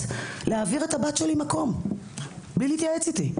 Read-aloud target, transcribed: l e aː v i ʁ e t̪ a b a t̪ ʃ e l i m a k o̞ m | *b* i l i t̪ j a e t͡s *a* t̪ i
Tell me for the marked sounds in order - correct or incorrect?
correct, incorrect: i

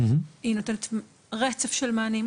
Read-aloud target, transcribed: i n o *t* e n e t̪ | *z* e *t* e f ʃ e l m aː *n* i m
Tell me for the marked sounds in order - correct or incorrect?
correct, incorrect: ʁ, incorrect: t͡s, correct

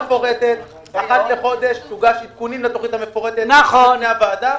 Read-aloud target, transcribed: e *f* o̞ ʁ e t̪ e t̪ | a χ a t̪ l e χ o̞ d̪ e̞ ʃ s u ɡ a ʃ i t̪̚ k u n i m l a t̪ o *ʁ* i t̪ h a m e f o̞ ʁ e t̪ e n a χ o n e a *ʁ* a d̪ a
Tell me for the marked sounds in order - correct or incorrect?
correct, incorrect: χ, incorrect: v

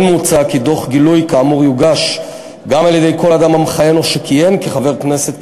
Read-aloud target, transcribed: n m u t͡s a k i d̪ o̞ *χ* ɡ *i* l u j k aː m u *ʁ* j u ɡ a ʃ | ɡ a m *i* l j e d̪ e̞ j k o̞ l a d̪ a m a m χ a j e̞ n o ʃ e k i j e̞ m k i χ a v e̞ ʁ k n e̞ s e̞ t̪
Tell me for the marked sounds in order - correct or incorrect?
correct, correct, correct, incorrect: a

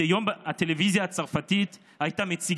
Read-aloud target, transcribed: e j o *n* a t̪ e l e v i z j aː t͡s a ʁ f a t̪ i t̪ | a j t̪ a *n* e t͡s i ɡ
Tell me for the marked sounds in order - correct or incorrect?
incorrect: m, incorrect: m

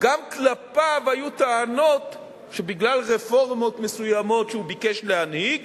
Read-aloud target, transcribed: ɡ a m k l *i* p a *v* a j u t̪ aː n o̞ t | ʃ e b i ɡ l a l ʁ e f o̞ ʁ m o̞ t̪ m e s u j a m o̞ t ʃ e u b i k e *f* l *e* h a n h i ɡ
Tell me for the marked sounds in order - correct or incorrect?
incorrect: a, correct, incorrect: ʃ, correct

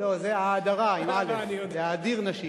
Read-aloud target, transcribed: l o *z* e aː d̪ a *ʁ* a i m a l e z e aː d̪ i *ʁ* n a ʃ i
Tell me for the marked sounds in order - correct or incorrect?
correct, correct, correct

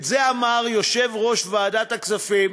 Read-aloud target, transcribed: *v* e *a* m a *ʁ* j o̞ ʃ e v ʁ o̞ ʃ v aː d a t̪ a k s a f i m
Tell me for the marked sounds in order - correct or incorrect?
incorrect: z, correct, correct

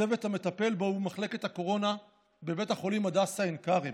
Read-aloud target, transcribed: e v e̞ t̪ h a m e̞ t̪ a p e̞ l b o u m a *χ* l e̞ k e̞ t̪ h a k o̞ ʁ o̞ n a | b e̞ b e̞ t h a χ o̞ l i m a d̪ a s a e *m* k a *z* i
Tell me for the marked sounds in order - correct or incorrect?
correct, incorrect: n, incorrect: ʁ

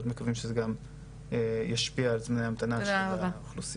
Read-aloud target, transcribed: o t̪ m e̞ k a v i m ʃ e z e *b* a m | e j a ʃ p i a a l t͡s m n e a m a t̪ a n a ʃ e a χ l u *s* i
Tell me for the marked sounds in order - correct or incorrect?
incorrect: ɡ, correct

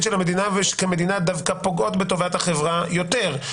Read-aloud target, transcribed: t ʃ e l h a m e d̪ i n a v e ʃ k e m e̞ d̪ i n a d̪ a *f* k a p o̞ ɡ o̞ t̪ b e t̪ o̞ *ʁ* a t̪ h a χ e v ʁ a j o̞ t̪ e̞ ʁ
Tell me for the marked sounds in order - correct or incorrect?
incorrect: v, incorrect: v

